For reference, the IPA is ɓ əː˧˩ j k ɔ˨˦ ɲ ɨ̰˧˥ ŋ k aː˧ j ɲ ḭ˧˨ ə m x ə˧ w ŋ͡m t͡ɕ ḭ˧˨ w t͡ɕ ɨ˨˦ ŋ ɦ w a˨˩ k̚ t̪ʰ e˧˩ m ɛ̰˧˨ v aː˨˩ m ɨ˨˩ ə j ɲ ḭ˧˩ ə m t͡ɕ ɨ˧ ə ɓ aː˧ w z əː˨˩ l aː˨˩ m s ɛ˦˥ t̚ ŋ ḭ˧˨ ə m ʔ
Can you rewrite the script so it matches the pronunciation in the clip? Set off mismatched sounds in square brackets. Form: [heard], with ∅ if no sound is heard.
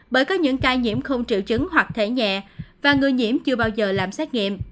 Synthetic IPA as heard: ɓ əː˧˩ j k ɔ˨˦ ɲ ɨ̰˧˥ ŋ k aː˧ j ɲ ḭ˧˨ ə m x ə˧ w ŋ͡m t͡ɕ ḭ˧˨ w t͡ɕ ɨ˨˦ ŋ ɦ w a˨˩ k̚ t̪ʰ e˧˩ [ɲ] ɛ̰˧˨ v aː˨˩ [ŋ] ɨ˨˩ ə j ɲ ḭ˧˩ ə m t͡ɕ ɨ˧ ə ɓ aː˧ w z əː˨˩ l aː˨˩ m s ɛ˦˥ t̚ ŋ ḭ˧˨ ə m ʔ